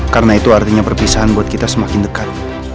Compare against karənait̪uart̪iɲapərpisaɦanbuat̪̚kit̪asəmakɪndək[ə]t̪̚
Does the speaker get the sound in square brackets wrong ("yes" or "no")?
yes